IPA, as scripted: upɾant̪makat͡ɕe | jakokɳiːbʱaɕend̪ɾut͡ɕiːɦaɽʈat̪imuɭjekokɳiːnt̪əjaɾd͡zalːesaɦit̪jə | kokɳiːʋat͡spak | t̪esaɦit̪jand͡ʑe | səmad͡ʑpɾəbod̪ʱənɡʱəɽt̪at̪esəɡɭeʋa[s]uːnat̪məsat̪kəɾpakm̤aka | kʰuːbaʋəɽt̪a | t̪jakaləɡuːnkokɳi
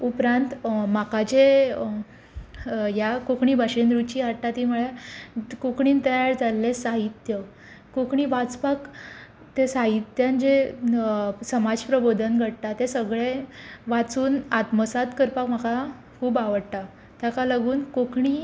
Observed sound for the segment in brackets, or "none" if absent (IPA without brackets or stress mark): t͡s